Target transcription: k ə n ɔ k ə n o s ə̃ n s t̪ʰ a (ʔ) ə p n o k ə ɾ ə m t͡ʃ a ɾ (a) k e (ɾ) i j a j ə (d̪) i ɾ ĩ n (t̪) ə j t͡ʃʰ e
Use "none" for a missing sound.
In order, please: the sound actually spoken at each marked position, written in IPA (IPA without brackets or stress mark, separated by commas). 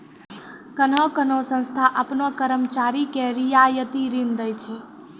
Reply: ʔ, i, ɾ, t̪, d̪